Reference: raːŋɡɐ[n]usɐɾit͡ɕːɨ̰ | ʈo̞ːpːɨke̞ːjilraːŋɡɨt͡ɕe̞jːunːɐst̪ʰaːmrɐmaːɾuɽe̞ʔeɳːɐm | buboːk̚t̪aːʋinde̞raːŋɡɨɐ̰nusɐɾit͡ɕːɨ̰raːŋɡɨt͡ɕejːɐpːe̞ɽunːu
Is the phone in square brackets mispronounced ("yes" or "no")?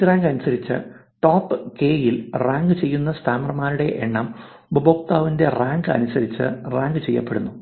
no